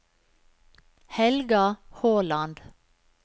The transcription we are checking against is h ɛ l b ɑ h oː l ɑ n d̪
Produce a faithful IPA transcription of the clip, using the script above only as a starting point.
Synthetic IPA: h ɛ l ɡ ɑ h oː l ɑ n d̪